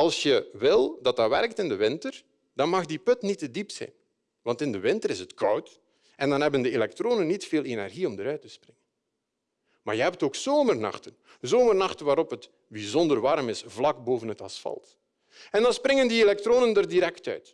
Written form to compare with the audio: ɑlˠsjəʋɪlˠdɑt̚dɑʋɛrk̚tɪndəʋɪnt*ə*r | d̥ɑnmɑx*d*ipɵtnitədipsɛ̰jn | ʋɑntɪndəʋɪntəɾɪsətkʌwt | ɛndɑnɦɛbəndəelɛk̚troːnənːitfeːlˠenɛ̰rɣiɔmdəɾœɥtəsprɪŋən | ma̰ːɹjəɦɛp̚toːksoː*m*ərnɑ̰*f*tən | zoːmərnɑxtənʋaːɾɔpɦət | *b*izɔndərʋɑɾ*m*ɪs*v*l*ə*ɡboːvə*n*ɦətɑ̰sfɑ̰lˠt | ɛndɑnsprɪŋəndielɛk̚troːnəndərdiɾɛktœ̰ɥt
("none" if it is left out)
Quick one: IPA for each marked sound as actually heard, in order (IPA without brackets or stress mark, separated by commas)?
ə, d, m, x, b, m, v, ɑ, n